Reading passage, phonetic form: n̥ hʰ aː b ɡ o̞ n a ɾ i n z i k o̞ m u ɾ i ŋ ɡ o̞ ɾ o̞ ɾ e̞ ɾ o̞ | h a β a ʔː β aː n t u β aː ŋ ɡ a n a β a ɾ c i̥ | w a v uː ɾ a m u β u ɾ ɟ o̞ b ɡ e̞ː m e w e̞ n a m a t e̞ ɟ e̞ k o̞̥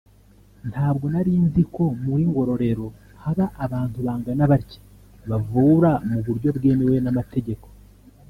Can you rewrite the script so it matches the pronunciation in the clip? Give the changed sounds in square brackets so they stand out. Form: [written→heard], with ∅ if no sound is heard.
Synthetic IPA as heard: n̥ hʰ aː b ɡ o̞ n a ɾ i n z i k o̞ m u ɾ i ŋ ɡ o̞ ɾ o̞ ɾ e̞ ɾ o̞ | h a β a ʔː β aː n t u β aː ŋ ɡ a n a β a ɾ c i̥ | [w→β] a v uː ɾ a m u β u ɾ ɟ o̞ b ɡ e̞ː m e w e̞ n a m a t e̞ ɟ e̞ k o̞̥